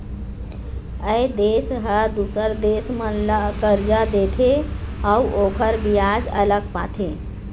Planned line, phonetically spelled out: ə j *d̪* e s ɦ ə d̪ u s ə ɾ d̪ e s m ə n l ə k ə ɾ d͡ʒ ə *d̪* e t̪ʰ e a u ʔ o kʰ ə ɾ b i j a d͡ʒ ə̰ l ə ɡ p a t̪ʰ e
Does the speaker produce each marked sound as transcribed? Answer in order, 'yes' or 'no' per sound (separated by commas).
yes, yes